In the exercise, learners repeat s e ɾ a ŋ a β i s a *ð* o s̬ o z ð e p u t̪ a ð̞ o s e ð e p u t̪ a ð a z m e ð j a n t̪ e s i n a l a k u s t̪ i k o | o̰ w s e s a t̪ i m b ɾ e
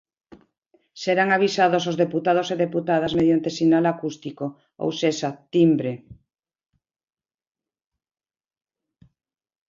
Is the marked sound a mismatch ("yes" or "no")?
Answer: no